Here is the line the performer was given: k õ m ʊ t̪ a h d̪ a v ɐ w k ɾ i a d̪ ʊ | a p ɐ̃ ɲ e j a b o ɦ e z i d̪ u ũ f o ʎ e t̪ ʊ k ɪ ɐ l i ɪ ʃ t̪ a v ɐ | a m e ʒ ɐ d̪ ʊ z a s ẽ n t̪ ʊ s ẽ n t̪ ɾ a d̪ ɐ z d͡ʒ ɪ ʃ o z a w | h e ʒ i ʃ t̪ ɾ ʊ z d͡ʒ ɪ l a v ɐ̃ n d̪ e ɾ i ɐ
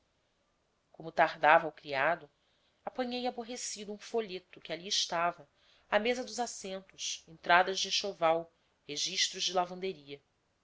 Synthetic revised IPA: k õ m ʊ t̪ a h d̪ a v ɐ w k ɾ i a d̪ ʊ | a p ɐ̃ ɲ e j a b o ɦ e s i d̪ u ũ f o ʎ e t̪ ʊ k ɪ a l i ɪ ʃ t̪ a v ɐ | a m e z ɐ d̪ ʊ z a s ẽ n t̪ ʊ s ẽ n t̪ ɾ a d̪ ɐ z d͡ʒ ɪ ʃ o v a w | h e ʒ i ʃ t̪ ɾ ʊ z d͡ʒ ɪ l a v ɐ̃ n d̪ e ɾ i ɐ

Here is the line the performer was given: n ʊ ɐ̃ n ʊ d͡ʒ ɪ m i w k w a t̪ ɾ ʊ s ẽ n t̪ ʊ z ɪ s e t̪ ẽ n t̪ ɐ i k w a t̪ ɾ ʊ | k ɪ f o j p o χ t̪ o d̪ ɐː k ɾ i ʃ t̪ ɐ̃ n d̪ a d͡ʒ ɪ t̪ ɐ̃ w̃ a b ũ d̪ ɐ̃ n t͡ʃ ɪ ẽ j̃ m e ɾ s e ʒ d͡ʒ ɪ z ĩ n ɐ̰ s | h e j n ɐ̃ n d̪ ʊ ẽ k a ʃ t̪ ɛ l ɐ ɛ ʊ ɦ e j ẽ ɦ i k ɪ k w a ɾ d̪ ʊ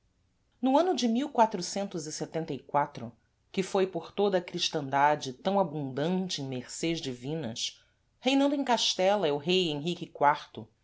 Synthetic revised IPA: n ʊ ɐ̃ n ʊ d͡ʒ ɪ m i w k w a t̪ ɾ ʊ s ẽ n t̪ ʊ z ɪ s e t̪ ẽ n t̪ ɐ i k w a t̪ ɾ ʊ | k ɪ f o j p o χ t̪ o d̪ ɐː k ɾ i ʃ t̪ ɐ̃ n d̪ a d͡ʒ ɪ t̪ ɐ̃ w̃ a b ũ d̪ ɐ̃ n t͡ʃ ɪ ẽ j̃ m e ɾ s e ʒ d͡ʒ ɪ v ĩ n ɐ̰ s | h e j n ɐ̃ n d̪ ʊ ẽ k a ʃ t̪ ɛ l ɐ ɛ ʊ ɦ e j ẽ ɦ i k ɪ k w a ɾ t̪ ʊ

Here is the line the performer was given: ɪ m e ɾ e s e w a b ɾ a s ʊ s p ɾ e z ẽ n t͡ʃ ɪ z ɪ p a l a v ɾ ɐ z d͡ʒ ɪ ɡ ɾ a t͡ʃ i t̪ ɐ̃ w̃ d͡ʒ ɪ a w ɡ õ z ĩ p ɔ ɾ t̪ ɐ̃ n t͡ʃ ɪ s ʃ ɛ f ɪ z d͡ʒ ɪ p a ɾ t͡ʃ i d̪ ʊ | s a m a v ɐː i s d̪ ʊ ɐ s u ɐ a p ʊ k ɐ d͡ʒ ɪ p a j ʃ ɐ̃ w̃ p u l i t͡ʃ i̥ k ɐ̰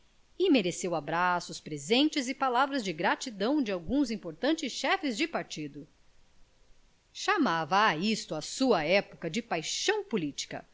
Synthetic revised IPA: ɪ m e ɾ e s e w a b ɾ a s ʊ s p ɾ e z ẽ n t͡ʃ ɪ z ɪ p a l a v ɾ ɐ z d͡ʒ ɪ ɡ ɾ a t͡ʃ i d̪ ɐ̃ w̃ d͡ʒ ɪ a w ɡ ũ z ĩ p o ɾ t̪ ɐ̃ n t͡ʃ ɪ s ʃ ɛ f ɪ z d͡ʒ ɪ p a ɾ t͡ʃ i d̪ ʊ | ʃ a m a v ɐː i s t̪ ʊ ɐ s u ɐ ɛ p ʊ k ɐ d͡ʒ ɪ p a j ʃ ɐ̃ w̃ p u l i t͡ʃ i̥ k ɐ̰

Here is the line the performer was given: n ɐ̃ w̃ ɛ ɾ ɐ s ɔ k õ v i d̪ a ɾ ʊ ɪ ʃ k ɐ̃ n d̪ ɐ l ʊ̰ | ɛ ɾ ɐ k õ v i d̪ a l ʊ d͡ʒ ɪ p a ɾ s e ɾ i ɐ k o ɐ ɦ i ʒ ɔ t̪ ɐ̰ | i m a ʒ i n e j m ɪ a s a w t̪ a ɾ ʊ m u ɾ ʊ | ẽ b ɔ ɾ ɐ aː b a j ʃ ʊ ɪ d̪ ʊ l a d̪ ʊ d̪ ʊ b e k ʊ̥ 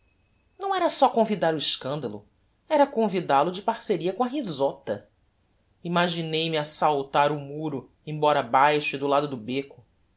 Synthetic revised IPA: n ɐ̃ w̃ ɛ ɾ ɐ s ɔ k õ v i d̪ a ɾ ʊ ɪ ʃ k ɐ̃ n d̪ ɐ l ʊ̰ | ɛ ɾ ɐ k õ v i d̪ a l ʊ d͡ʒ ɪ p a ɾ s e ɾ i ɐ k õ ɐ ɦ i z ɔ t̪ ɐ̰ | i m a ʒ i n e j m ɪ a s a w t̪ a ɾ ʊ m u ɾ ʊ | ẽ b ɔ ɾ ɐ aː b a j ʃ ʊ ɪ d̪ ʊ l a d̪ ʊ d̪ ʊ b e k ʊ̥

